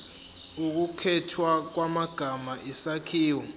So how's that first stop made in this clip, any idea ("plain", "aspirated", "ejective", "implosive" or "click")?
plain